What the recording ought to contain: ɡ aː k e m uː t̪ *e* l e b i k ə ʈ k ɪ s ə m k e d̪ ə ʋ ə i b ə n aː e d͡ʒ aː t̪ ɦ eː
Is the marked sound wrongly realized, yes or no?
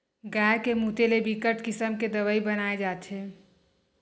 no